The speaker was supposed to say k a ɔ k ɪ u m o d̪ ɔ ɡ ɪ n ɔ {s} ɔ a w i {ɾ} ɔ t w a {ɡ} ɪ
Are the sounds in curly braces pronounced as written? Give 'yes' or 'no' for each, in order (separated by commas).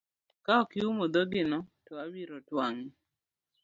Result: no, yes, no